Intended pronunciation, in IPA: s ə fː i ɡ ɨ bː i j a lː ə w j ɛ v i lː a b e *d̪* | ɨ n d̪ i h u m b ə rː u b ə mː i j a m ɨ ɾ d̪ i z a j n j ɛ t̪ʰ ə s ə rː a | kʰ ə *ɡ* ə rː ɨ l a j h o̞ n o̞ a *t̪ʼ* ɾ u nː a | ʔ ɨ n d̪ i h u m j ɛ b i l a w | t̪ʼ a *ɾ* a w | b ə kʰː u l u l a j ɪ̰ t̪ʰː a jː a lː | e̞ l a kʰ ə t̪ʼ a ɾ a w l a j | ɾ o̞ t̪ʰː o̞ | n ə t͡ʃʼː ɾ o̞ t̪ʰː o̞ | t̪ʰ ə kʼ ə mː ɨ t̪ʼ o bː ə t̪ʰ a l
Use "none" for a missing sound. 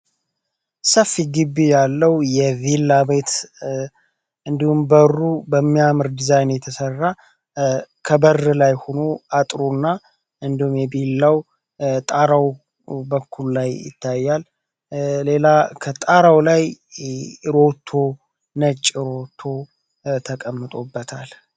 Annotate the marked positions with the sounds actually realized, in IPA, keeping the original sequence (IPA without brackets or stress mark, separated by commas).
t̪, b, t̪ʼ, ɾ